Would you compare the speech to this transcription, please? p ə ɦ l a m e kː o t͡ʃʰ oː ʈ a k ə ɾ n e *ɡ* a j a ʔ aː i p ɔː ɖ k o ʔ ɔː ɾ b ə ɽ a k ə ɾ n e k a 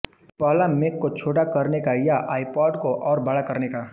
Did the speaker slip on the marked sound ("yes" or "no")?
yes